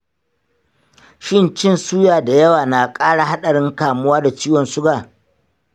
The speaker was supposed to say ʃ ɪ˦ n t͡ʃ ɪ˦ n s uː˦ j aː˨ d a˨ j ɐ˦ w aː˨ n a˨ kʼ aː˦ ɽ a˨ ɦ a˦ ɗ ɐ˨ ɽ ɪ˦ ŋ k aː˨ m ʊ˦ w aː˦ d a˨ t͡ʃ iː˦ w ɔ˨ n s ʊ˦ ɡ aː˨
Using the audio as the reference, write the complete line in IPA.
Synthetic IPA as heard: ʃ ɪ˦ n t͡ʃ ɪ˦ n s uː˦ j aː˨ d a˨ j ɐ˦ w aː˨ n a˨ kʼ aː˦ ɽ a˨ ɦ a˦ ɗ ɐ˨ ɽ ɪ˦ ŋ k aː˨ m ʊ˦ w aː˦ d a˨ t͡ʃ iː˦ w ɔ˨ n s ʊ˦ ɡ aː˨